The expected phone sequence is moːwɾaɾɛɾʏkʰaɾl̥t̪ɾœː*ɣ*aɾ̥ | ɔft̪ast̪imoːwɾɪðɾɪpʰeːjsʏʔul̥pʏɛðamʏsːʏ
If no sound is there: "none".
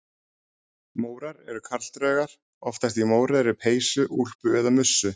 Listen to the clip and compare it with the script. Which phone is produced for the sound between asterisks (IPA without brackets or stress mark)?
ɣ